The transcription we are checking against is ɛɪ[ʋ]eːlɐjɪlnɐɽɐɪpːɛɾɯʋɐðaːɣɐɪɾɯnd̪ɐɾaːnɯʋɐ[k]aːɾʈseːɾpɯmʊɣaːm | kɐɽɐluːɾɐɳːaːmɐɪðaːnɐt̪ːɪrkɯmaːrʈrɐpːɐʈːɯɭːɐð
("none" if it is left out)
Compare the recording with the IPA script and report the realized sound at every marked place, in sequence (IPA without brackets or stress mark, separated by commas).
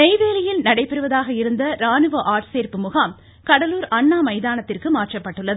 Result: ʋ, ʔ